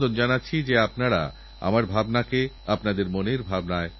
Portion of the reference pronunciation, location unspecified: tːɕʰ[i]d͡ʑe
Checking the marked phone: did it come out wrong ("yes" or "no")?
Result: no